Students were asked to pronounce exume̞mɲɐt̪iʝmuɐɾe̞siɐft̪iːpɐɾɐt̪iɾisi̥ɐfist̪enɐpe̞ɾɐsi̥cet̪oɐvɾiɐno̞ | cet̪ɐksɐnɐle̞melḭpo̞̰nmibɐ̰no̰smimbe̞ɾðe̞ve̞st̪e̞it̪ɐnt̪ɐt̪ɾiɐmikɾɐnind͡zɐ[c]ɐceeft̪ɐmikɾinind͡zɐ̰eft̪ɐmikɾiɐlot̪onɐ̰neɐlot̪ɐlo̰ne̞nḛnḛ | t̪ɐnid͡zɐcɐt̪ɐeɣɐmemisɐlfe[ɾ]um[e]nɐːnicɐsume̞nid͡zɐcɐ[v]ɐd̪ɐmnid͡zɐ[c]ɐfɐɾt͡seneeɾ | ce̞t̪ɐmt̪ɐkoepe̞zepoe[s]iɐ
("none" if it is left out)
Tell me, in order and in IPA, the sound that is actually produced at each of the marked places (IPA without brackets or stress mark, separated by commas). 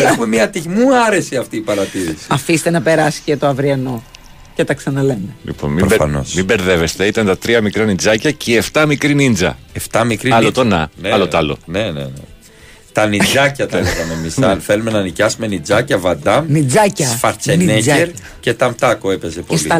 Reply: c, l, e, v, c, s